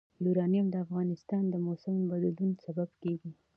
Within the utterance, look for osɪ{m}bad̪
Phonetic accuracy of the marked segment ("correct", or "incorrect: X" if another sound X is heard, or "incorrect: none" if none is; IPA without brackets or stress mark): correct